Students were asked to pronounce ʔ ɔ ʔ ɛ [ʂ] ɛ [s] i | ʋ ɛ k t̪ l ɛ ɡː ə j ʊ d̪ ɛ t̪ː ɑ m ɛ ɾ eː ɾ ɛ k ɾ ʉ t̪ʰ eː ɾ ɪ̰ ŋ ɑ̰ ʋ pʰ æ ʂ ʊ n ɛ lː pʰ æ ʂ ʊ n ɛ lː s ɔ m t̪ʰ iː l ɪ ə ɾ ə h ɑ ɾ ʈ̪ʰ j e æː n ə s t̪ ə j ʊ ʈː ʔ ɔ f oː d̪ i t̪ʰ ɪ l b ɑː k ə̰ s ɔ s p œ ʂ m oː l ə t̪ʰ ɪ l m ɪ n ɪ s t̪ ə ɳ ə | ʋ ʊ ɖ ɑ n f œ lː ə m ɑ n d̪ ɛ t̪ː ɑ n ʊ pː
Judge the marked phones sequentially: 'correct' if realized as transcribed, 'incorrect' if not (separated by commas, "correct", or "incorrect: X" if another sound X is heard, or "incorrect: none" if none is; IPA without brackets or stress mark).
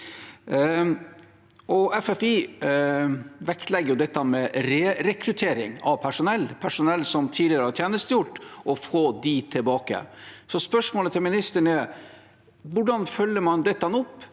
incorrect: f, incorrect: f